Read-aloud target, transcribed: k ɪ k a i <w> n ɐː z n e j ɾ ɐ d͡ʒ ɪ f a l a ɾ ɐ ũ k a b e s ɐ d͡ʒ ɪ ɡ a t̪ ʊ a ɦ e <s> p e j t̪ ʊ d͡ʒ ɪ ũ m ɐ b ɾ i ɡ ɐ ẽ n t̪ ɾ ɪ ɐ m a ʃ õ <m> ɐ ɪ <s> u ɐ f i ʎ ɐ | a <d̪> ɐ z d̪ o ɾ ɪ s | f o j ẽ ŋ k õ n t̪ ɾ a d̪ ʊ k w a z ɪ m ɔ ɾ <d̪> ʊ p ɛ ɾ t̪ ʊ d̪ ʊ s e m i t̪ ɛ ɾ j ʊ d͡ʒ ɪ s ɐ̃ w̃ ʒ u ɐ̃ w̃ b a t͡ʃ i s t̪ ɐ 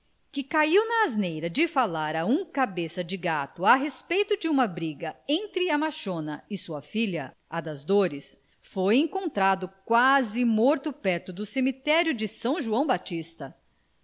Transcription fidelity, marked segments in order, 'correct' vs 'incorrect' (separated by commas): correct, correct, incorrect, correct, correct, incorrect